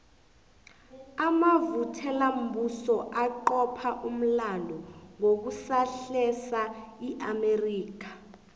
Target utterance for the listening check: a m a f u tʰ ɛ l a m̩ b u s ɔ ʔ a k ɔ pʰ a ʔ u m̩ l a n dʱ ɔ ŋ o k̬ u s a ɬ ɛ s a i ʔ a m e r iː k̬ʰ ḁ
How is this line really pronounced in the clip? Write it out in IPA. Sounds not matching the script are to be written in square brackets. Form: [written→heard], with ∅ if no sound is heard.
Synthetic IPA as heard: a m a [f→v] u tʰ ɛ l a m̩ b u s ɔ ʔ a [k→ǃ] ɔ pʰ a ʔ u m̩ l a n dʱ ɔ ŋ o k̬ u s a ɬ ɛ s a i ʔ a m e r iː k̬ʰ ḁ